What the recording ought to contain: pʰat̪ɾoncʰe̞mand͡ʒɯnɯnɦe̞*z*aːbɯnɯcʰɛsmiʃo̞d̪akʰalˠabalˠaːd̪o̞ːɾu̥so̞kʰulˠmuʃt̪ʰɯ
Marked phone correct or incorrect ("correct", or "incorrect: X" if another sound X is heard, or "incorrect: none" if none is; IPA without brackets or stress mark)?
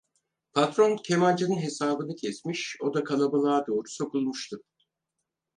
incorrect: s